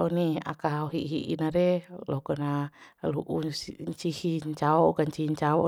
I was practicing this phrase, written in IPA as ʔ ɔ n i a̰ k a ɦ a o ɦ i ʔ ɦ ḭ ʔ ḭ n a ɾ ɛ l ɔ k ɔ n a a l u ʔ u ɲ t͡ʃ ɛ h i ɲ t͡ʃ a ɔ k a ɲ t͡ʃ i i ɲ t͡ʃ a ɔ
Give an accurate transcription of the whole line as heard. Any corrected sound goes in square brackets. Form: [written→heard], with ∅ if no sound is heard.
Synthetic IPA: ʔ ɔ n i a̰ k a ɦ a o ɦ i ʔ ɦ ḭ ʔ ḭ n a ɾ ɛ l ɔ k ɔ n a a l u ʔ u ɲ t͡ʃ [ɛ→i] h i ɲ t͡ʃ a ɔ k a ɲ t͡ʃ i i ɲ t͡ʃ a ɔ